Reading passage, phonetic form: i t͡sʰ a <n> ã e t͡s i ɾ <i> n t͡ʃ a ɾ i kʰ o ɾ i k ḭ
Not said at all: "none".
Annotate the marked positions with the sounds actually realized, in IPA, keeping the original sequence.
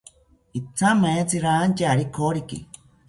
m, a

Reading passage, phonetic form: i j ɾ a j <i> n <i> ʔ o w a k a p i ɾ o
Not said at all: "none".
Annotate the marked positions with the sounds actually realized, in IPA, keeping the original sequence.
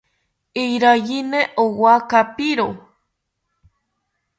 i, e

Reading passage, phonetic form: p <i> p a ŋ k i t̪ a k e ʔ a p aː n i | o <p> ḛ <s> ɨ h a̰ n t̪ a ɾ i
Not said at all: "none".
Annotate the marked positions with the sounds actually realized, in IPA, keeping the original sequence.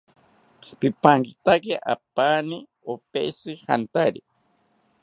i, p, s

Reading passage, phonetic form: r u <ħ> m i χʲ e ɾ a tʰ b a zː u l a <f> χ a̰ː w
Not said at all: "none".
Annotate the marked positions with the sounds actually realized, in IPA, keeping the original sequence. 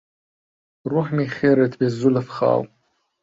ħ, f

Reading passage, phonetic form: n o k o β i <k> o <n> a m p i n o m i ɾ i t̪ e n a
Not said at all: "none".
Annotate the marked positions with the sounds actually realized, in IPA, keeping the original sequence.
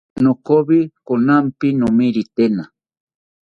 k, n

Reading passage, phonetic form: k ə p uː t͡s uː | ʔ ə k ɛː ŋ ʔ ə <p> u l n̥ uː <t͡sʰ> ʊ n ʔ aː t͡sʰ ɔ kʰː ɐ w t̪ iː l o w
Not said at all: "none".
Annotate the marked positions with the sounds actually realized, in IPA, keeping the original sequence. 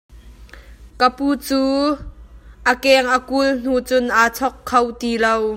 k, t͡s

